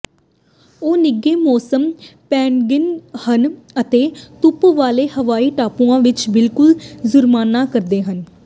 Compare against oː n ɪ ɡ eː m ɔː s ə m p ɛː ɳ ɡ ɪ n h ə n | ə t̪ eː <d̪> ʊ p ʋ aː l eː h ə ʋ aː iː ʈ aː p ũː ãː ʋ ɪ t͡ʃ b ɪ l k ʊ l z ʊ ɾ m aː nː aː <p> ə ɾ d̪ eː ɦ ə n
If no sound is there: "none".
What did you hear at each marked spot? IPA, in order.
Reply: t̪, k

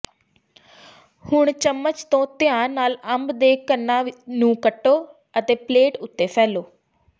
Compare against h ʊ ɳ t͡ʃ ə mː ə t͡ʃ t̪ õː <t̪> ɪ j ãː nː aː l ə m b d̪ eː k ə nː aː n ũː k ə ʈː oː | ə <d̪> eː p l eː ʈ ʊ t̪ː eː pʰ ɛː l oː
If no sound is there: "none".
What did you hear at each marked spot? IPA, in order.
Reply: t̪, t̪

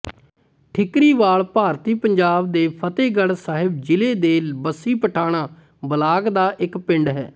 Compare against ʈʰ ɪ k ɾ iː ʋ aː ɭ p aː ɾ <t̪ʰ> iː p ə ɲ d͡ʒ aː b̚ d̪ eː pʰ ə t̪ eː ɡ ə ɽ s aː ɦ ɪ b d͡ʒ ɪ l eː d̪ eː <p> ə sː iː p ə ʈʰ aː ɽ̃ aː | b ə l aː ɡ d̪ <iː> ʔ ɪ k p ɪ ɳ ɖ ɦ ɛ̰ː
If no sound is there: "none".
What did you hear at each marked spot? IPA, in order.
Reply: t̪, b, aː

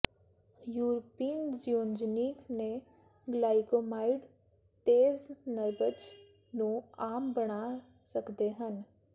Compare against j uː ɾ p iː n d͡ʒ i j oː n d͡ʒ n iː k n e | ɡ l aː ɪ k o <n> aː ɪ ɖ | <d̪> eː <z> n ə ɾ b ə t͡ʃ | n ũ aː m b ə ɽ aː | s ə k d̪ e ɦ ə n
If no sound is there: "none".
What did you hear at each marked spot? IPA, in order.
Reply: m, t̪, z

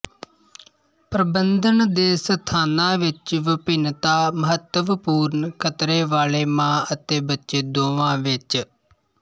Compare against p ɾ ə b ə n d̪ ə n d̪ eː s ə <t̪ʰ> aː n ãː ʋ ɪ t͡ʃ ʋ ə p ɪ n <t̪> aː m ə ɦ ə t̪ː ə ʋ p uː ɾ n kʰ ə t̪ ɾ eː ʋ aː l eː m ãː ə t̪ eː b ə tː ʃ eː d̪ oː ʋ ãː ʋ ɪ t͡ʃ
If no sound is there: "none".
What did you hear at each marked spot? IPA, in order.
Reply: t̪ʰ, t̪

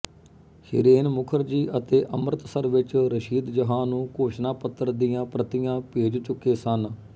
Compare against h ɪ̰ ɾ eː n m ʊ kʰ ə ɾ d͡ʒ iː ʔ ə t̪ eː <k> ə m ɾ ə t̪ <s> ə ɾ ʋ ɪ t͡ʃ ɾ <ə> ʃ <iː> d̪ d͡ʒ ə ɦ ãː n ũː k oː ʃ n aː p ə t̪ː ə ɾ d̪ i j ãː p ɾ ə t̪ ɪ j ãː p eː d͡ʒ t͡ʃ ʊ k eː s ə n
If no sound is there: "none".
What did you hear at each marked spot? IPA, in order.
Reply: ʔ, s, ə, iː

